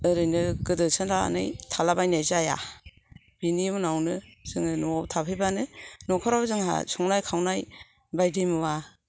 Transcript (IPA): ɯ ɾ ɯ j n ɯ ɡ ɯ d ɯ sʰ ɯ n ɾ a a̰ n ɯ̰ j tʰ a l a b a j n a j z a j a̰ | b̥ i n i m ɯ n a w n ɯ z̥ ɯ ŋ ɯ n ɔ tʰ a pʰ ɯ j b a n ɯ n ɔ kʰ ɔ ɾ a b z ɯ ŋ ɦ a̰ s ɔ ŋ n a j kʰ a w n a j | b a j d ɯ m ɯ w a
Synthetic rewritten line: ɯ ɾ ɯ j n ɯ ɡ ɯ d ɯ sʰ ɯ n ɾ a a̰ n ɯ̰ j tʰ a l a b a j n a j z a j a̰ | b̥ i n i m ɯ n a w n ɯ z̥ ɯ ŋ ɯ n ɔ tʰ a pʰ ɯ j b a n ɯ n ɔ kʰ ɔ ɾ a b z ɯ ŋ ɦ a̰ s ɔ ŋ n a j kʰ a w n a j | b a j d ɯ m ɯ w a

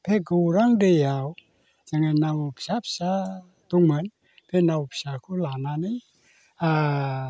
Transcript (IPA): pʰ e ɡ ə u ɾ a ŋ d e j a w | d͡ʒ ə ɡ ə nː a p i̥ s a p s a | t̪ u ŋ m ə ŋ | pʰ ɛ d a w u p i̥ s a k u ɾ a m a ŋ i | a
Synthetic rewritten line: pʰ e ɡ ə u ɾ a ŋ d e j a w | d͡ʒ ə ŋ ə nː a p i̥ s a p s a | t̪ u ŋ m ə n | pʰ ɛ n a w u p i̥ s a k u l a n a n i | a

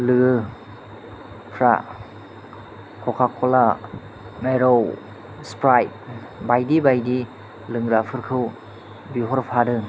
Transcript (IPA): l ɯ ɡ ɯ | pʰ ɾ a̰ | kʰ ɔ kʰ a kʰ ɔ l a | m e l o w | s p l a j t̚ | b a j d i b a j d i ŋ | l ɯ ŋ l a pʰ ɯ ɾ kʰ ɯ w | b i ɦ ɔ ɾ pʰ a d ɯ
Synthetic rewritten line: l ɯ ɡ ɯ | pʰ ɾ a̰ | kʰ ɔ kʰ a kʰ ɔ l a | m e ɾ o w | s p ɾ a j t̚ | b a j d i b a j d i | l ɯ ŋ ɾ a pʰ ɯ ɾ kʰ ɯ w | b i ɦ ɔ ɾ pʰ a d ɯ

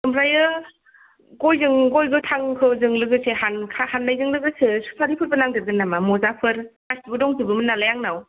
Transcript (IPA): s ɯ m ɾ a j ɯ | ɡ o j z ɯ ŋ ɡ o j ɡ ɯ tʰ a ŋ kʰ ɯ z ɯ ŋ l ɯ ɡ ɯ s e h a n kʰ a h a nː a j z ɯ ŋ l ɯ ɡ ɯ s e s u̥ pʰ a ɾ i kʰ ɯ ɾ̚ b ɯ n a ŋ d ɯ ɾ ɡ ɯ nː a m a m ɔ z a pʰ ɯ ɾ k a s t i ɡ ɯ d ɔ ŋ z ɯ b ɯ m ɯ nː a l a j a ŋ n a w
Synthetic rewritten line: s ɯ m ɾ a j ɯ | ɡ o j z ɯ ŋ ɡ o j ɡ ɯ tʰ a ŋ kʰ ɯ z ɯ ŋ l ɯ ɡ ɯ s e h a n kʰ a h a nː a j z ɯ ŋ l ɯ ɡ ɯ s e s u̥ pʰ a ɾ i pʰ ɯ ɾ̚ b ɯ n a ŋ d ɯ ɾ ɡ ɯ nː a m a m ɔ z a pʰ ɯ ɾ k a s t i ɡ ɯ d ɔ ŋ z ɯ b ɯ m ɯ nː a l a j a ŋ n a w

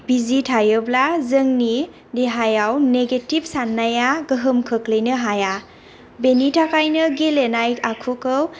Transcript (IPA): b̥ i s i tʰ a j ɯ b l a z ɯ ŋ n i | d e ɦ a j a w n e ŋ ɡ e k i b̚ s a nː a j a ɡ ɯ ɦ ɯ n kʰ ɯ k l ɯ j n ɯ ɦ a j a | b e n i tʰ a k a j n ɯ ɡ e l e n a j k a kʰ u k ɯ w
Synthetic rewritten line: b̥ i z i tʰ a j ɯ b l a z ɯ ŋ n i | d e ɦ a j a w n e ɡ e t i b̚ s a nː a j a ɡ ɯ ɦ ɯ m kʰ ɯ k l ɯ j n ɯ ɦ a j a | b e n i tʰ a k a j n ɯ ɡ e l e n a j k a kʰ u k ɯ w

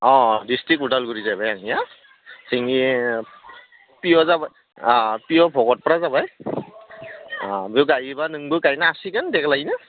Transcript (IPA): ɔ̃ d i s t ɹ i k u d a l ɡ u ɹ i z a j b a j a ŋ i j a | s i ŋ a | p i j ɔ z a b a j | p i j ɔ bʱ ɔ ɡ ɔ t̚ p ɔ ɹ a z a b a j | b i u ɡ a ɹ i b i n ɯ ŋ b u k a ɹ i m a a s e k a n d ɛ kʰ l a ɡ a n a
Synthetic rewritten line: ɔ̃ d i s t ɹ i k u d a l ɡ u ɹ i z a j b a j a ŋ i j a | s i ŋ i | p i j ɔ z a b a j | p i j ɔ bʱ ɔ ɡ ɔ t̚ p ɔ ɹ a z a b a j | b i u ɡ a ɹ i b a n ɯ ŋ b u k a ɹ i n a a s i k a n d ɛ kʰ l a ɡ i n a

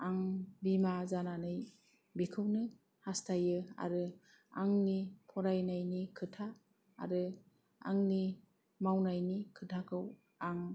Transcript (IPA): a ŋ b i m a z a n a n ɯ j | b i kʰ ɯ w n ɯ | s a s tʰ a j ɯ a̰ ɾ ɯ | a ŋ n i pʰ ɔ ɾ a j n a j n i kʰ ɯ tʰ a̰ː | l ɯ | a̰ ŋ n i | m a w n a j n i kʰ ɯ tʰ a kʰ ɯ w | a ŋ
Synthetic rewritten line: a ŋ b i m a z a n a n ɯ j | b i kʰ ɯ w n ɯ | h a s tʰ a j ɯ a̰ ɾ ɯ | a ŋ n i pʰ ɔ ɾ a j n a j n i kʰ ɯ tʰ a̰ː | ɾ ɯ | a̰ ŋ n i | m a w n a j n i kʰ ɯ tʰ a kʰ ɯ w | a ŋ

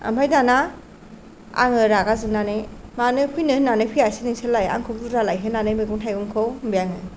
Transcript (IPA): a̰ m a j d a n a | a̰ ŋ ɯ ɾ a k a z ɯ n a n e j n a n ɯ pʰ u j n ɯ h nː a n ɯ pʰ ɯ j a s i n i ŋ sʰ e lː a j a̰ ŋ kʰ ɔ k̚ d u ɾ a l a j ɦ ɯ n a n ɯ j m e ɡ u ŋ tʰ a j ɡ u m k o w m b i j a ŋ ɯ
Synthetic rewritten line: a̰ m a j d a n a | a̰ ŋ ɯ ɾ a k a z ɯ n a n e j m a n ɯ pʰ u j n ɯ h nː a n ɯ pʰ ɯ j a s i n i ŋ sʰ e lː a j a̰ ŋ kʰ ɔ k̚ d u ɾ a l a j ɦ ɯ n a n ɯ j m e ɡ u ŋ tʰ a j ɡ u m kʰ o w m b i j a ŋ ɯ

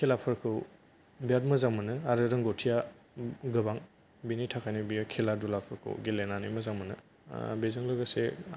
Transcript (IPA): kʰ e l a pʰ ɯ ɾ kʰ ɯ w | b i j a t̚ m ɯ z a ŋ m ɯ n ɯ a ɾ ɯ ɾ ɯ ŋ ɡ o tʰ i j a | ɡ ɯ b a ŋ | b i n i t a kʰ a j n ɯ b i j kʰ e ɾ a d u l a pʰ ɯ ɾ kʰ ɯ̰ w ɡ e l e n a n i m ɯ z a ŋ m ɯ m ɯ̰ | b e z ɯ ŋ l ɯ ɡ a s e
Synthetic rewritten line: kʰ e l a pʰ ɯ ɾ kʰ ɯ w | b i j a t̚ m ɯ z a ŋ m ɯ n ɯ a ɾ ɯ ɾ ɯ ŋ ɡ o tʰ i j a | ɡ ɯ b a ŋ | b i n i tʰ a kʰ a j n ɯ b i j kʰ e l a d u l a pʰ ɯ ɾ kʰ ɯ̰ w ɡ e l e n a n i m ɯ z a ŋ m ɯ n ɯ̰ | b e z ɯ ŋ l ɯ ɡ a s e

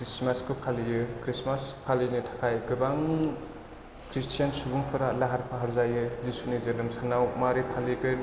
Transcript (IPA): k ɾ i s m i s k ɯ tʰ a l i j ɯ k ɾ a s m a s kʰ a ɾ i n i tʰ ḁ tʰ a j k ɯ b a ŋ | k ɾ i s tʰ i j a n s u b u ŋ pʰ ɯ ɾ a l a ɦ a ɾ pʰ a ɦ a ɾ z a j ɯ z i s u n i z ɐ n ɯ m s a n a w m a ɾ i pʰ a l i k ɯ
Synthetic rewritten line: k ɾ i s m a s k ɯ pʰ a l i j ɯ k ɾ i s m a s pʰ a l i n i tʰ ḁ kʰ a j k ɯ b a ŋ | k ɾ i s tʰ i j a n s u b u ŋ pʰ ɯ ɾ a l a ɦ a ɾ pʰ a ɦ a ɾ z a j ɯ z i s u n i z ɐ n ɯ m s a n a w m a ɾ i pʰ a l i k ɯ

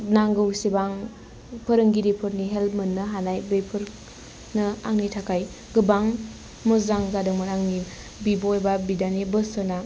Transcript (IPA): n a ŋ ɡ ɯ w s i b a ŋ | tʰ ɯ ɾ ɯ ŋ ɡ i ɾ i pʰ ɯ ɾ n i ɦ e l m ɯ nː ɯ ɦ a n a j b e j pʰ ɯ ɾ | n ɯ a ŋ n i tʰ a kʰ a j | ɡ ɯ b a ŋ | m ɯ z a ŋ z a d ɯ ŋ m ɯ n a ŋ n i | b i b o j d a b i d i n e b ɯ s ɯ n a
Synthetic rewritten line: n a ŋ ɡ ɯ w s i b a ŋ | pʰ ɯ ɾ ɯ ŋ ɡ i ɾ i pʰ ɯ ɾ n i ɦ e l m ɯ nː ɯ ɦ a n a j b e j pʰ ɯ ɾ | n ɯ a ŋ n i tʰ a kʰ a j | ɡ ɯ b a ŋ | m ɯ z a ŋ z a d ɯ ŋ m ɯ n a ŋ n i | b i b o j b a b i d a n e b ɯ s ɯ n a

